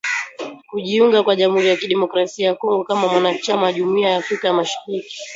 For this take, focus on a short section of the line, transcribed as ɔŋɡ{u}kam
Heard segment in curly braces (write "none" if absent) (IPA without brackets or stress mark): ɔ